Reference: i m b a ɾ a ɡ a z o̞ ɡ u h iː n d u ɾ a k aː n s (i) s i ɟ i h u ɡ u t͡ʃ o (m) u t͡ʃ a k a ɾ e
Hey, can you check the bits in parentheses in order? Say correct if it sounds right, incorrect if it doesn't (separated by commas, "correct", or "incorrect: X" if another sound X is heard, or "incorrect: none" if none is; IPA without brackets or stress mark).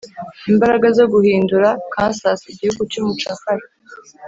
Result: incorrect: a, correct